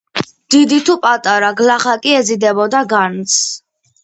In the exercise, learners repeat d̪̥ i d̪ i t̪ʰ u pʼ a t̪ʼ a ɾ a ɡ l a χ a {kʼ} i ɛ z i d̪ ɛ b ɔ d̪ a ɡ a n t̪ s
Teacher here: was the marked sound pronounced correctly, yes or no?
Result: yes